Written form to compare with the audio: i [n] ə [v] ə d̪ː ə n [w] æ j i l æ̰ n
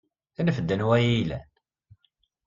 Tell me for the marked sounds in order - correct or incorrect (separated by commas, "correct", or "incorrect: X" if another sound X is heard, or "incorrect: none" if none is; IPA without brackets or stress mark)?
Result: correct, incorrect: f, correct